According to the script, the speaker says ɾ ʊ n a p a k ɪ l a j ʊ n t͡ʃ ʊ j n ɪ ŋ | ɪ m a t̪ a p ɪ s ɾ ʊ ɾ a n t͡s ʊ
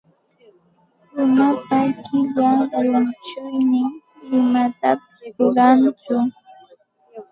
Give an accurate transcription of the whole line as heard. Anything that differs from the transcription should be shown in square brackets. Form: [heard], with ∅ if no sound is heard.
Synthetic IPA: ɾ ʊ n a p a k ɪ [ʎ] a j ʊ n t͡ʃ ʊ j n ɪ ŋ | ɪ m a t̪ a p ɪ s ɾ ʊ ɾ a n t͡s ʊ